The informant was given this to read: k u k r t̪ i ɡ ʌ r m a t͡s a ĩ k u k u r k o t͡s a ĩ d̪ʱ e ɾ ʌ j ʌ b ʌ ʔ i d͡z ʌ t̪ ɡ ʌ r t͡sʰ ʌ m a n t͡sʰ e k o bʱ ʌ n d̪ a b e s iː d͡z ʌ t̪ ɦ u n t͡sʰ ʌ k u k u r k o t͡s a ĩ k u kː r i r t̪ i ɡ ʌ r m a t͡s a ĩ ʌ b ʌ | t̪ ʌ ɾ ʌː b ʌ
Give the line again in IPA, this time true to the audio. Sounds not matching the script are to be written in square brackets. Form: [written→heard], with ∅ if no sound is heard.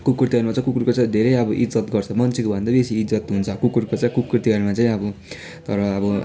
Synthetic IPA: k u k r t̪ i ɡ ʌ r m a t͡s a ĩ k u k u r k o t͡s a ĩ d̪ʱ e ɾ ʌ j ʌ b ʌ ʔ i d͡z ʌ t̪ ɡ ʌ r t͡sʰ ʌ m [a→ʌ] n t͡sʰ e k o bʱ ʌ n d̪ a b e s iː d͡z ʌ t̪ ɦ u n t͡sʰ ʌ k u k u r k o t͡s a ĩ k u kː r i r t̪ i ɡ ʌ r m a t͡s a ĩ ʌ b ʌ | t̪ ʌ ɾ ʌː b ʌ